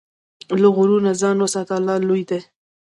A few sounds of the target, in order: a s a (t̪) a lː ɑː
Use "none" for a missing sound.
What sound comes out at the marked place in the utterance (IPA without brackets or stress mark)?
t̪